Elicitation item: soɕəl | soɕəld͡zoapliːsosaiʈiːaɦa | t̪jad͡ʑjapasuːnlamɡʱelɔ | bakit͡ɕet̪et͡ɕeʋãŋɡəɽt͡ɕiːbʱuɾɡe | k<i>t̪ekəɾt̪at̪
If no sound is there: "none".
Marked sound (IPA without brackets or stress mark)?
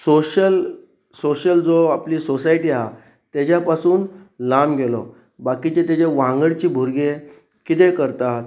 i